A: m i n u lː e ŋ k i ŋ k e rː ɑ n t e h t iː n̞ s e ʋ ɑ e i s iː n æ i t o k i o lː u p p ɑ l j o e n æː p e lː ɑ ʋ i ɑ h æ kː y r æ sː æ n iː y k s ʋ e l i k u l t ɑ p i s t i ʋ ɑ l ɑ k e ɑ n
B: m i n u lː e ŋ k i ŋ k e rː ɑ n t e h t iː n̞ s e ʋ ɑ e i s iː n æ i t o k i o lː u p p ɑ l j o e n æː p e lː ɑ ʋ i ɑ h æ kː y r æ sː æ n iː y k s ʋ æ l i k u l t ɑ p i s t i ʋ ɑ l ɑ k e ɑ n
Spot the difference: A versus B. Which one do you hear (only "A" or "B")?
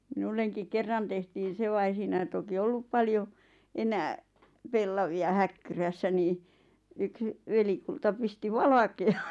A